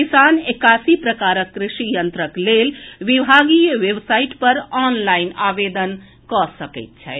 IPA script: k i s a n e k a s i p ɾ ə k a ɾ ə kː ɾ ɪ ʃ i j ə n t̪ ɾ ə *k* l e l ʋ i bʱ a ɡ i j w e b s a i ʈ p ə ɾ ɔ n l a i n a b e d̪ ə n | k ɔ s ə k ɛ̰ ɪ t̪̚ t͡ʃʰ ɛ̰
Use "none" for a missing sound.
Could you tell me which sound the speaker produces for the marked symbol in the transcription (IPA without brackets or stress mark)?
k